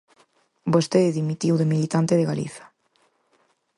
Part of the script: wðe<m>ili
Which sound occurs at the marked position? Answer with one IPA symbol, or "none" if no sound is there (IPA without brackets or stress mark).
m